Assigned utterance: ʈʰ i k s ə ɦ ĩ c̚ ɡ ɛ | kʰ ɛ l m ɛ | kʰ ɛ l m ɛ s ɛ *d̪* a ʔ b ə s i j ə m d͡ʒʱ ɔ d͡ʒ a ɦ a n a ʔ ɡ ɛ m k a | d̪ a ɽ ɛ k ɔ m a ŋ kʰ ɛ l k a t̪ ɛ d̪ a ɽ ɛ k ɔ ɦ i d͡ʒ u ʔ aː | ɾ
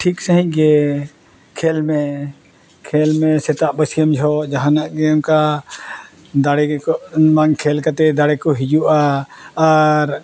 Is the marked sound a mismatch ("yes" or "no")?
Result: yes